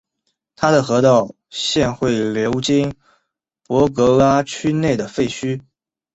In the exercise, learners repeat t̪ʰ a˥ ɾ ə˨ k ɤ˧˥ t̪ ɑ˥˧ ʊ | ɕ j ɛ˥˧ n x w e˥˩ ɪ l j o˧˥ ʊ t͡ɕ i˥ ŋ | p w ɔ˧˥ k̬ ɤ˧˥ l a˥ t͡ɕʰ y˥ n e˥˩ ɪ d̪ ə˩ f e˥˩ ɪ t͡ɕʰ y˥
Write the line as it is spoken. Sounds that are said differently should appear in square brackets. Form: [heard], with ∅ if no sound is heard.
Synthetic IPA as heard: t̪ʰ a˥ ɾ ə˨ [x] ɤ˧˥ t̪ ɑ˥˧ ʊ | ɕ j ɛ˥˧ n x w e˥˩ ɪ l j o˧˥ ʊ t͡ɕ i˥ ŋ | p w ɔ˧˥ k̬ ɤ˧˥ l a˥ t͡ɕʰ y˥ n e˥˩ ɪ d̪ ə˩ f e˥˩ ɪ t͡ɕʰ y˥